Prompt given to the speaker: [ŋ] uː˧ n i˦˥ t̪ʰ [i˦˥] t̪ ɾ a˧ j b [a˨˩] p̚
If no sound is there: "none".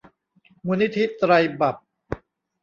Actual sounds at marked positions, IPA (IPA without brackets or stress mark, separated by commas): m, i˦˥, a˨˩